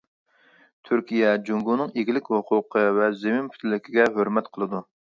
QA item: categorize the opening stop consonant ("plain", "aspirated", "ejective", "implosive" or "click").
aspirated